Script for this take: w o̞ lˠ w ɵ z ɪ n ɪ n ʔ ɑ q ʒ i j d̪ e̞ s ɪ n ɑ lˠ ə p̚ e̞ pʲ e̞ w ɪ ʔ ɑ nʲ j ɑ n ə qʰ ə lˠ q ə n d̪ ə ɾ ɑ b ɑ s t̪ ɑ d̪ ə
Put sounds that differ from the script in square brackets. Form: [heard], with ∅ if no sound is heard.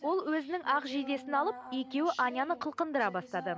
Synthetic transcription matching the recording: w o̞ lˠ w ɵ z ɪ n ɪ [ŋ] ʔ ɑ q ʒ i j d̪ e̞ s ɪ n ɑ lˠ ə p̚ e̞ [kʲ] e̞ w ɪ ʔ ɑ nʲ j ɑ n ə qʰ ə lˠ q ə n d̪ ə ɾ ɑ b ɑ s t̪ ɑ d̪ ə